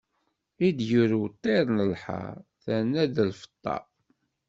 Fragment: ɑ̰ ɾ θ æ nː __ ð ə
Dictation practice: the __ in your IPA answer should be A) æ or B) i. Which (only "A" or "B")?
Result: A